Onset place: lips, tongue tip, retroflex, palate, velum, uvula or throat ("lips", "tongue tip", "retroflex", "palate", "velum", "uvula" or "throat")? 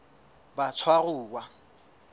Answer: lips